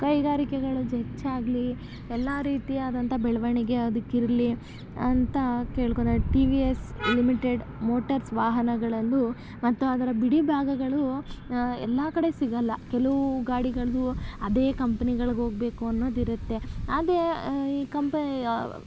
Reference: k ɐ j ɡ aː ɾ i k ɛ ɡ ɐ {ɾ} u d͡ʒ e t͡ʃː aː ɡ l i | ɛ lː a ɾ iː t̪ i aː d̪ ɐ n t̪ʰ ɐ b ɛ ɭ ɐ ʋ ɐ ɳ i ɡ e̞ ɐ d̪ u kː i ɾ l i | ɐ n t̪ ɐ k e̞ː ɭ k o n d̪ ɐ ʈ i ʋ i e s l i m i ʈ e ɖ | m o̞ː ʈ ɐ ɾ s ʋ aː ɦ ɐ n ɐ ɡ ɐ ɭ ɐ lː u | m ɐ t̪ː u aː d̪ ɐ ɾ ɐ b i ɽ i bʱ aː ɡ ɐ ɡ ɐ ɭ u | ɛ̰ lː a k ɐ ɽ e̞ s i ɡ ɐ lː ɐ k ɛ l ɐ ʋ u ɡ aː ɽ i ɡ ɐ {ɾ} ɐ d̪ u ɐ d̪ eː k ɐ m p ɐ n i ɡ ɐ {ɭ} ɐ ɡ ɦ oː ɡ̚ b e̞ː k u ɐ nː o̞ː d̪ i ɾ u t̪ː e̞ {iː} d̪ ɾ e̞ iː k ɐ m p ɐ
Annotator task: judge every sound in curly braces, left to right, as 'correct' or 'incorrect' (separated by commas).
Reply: incorrect, incorrect, correct, incorrect